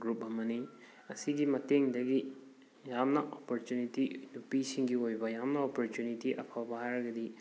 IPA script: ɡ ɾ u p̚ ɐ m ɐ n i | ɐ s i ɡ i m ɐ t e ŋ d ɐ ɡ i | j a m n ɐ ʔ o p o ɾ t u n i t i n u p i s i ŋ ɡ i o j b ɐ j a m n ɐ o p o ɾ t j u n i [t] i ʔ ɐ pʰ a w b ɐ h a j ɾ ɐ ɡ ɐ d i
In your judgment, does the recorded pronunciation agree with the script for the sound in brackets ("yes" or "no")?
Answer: yes